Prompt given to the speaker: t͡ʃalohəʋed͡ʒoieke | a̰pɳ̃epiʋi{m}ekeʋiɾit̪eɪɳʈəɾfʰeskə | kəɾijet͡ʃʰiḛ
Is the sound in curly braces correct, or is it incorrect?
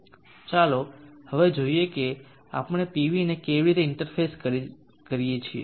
incorrect